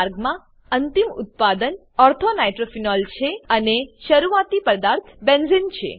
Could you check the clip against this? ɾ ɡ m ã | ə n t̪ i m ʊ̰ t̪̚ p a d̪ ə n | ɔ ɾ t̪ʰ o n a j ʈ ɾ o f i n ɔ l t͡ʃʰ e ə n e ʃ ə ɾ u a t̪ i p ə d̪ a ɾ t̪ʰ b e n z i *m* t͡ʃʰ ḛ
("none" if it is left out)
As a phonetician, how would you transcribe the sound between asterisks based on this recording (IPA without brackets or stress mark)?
n